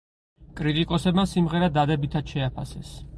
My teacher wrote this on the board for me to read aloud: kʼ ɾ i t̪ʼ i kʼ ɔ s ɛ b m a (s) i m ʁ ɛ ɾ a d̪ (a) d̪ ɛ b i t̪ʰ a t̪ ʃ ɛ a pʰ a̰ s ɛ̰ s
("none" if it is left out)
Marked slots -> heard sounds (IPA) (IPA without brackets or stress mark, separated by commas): s, a